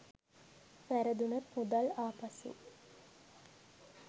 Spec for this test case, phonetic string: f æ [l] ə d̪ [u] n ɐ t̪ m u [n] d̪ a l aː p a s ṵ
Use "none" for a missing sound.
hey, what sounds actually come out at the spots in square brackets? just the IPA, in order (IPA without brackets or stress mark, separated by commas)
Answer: ɾ, u, none